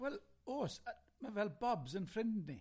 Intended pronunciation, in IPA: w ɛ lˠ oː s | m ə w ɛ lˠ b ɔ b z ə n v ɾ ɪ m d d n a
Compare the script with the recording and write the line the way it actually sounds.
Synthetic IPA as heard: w ɛ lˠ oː s | m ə v ɛ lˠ b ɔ b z ə n f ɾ ɪ n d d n i